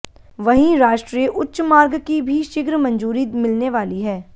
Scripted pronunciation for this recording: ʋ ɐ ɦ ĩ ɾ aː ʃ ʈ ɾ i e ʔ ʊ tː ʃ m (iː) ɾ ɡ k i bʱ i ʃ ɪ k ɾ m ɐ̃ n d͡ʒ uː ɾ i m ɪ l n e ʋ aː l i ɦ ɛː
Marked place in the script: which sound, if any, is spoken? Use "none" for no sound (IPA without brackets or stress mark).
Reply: aː